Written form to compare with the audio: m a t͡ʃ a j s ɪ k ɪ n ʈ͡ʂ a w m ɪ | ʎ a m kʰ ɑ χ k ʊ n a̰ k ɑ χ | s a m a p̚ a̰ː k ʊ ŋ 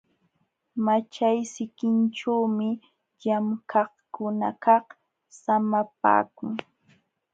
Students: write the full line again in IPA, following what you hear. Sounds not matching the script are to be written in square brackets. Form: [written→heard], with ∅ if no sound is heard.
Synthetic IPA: m a t͡ʃ a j s ɪ k ɪ n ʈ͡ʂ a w m ɪ | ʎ a m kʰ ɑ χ k ʊ n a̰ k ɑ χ | s a m a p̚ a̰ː k ʊ ŋ